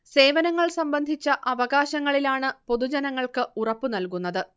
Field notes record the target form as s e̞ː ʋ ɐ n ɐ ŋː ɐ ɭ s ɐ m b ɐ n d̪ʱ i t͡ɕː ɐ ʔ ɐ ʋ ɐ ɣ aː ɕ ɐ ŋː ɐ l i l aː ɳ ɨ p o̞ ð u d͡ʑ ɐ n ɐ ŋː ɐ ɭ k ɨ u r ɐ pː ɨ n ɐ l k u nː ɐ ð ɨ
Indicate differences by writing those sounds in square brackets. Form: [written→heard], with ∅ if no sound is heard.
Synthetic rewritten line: s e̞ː ʋ ɐ n ɐ ŋː ɐ ɭ s ɐ m b ɐ n d̪ʱ i t͡ɕː ɐ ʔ ɐ ʋ ɐ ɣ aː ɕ ɐ ŋː ɐ [l→ɭ] i l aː ɳ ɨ p o̞ ð u d͡ʑ ɐ n ɐ ŋː ɐ ɭ k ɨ u r ɐ pː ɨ n ɐ l k u nː ɐ ð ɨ